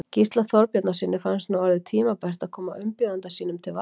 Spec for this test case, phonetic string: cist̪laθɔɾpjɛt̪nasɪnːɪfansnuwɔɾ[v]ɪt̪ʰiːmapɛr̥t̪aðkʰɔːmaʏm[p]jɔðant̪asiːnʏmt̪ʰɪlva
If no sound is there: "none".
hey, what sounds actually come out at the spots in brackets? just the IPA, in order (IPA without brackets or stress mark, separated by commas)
ð, p